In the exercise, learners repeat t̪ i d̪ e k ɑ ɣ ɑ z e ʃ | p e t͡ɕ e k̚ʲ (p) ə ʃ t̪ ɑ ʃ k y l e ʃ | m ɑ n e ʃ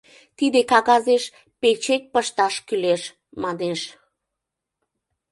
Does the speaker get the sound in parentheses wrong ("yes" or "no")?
no